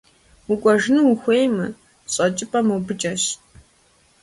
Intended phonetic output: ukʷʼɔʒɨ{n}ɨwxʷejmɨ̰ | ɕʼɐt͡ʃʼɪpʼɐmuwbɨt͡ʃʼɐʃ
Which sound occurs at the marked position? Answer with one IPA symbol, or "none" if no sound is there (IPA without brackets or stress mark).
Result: n